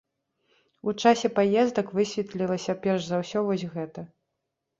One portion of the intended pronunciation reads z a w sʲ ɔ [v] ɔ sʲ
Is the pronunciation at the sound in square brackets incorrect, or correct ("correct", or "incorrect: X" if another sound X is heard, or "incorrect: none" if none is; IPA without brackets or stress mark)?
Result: correct